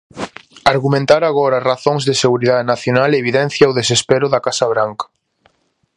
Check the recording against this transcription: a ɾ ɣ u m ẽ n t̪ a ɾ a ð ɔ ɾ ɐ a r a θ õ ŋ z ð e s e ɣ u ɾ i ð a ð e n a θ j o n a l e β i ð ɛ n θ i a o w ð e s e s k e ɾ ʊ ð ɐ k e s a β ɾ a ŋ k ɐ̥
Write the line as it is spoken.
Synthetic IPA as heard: a ɾ ɣ u m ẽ n t̪ a ɾ a ɣ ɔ ɾ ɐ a r a θ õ ŋ z ð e s e ɣ u ɾ i ð a ð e n a θ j o n a l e β i ð ɛ n θ j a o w ð e s e s p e ɾ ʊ ð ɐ k a s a β ɾ a ŋ k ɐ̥